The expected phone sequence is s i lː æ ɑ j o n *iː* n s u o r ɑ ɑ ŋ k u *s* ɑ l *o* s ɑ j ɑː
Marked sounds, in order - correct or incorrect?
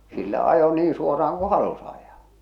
correct, incorrect: h, incorrect: u

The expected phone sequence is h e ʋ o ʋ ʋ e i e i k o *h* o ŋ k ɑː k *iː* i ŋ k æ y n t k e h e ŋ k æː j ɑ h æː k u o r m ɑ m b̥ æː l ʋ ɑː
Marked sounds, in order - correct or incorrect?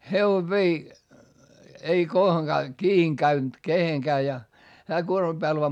correct, correct

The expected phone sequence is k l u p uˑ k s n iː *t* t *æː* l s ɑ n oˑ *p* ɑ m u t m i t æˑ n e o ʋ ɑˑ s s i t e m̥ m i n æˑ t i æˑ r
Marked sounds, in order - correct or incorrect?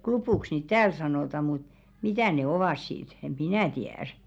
correct, correct, incorrect: t

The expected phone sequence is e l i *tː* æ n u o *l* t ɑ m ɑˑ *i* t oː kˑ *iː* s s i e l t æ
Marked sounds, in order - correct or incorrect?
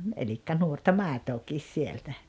incorrect: kː, incorrect: r, incorrect: e, correct

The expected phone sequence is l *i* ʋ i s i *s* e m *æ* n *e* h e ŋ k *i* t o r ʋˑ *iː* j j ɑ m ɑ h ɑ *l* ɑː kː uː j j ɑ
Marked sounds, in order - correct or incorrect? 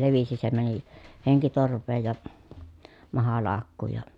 incorrect: e, correct, correct, incorrect: i, correct, incorrect: eː, correct

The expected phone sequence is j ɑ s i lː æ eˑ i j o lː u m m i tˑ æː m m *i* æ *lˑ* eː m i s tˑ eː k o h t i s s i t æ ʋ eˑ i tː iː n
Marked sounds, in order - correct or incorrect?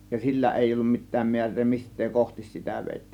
correct, incorrect: rˑ

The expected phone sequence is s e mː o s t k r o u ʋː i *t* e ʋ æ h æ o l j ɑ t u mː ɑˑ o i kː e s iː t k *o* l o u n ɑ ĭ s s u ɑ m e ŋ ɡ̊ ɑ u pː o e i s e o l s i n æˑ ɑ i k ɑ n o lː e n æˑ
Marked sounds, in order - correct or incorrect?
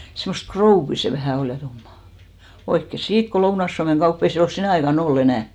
incorrect: s, correct

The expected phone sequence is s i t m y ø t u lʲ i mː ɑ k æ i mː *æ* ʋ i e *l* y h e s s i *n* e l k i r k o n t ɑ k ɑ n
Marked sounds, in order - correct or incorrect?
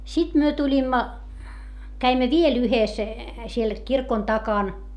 correct, correct, incorrect: none

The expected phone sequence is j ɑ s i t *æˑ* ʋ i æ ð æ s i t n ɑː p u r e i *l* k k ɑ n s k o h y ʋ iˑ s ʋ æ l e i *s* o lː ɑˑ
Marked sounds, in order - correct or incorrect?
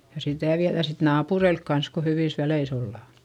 correct, correct, correct

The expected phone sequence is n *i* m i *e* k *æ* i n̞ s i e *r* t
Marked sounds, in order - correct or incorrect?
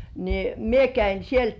correct, correct, correct, incorrect: l

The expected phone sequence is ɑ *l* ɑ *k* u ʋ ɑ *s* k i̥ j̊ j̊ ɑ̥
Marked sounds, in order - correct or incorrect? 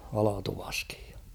correct, incorrect: t, correct

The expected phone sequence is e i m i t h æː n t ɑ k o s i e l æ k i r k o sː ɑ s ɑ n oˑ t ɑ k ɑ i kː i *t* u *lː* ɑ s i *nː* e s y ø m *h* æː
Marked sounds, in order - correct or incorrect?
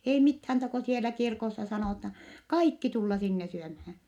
correct, correct, correct, correct

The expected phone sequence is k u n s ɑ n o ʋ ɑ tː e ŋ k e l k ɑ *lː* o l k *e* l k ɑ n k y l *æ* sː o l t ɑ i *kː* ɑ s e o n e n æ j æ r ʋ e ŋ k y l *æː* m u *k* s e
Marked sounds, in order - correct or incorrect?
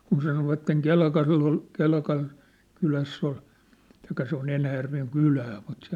correct, correct, correct, correct, correct, incorrect: t

